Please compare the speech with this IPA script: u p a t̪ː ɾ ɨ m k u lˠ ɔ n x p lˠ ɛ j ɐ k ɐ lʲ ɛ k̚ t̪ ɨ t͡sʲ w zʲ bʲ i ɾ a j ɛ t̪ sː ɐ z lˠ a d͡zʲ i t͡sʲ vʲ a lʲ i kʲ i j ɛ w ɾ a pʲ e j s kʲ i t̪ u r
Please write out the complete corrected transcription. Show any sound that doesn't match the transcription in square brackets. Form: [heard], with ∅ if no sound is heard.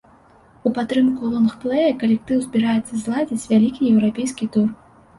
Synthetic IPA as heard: u p a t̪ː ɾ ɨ m k u lˠ ɔ n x p lˠ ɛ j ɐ k ɐ lʲ ɛ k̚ t̪ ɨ [∅] w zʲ bʲ i ɾ a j ɛ t̪ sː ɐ z lˠ a d͡zʲ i t͡sʲ vʲ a lʲ i kʲ i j ɛ w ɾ a pʲ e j s kʲ i t̪ u r